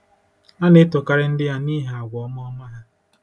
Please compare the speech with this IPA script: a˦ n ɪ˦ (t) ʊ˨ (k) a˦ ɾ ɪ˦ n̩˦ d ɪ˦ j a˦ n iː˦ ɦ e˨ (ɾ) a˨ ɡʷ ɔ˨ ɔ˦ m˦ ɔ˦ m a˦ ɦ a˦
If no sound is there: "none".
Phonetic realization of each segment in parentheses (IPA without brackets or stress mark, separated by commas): t, k, none